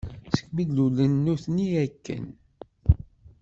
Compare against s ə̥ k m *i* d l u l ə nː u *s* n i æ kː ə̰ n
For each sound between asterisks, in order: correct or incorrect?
correct, incorrect: θ

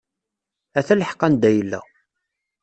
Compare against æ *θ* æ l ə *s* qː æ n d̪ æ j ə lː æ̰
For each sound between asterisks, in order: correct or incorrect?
correct, incorrect: ħ

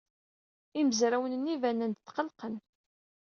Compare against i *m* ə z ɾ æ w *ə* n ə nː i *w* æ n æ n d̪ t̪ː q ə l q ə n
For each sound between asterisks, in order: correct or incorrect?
correct, correct, incorrect: v

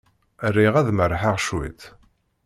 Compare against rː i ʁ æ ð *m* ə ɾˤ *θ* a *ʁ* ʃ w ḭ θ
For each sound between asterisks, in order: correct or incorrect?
correct, incorrect: ħ, correct

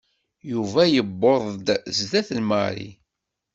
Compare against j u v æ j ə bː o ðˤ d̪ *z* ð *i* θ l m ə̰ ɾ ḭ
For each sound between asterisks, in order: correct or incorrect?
correct, incorrect: æ

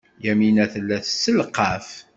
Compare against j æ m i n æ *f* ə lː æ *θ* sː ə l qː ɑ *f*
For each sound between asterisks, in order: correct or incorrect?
incorrect: θ, correct, correct

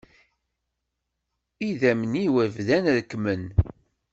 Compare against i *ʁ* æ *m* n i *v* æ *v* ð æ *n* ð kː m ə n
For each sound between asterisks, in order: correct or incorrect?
incorrect: ð, correct, incorrect: w, correct, correct

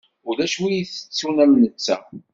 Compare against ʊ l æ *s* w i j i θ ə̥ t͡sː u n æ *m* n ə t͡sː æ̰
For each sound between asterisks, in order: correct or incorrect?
incorrect: ʃ, correct

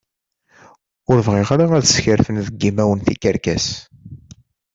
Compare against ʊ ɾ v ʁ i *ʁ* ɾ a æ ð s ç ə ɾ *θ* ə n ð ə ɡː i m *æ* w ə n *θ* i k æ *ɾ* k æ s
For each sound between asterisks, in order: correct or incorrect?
correct, incorrect: f, correct, correct, correct

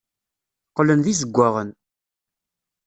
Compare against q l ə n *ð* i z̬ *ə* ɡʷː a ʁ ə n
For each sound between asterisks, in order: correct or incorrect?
correct, correct

